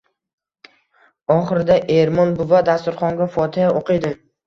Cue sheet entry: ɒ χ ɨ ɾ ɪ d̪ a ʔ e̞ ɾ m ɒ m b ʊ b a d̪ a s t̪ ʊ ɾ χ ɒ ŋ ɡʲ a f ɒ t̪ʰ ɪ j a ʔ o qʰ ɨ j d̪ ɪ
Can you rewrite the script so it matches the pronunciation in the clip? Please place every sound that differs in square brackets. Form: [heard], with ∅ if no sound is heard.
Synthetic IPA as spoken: ɒ χ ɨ ɾ ɪ d̪ a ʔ e̞ ɾ m ɒ [n] b ʊ [v] a d̪ a s t̪ ʊ ɾ χ ɒ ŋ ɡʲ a f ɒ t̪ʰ ɪ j a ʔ o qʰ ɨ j d̪ ɪ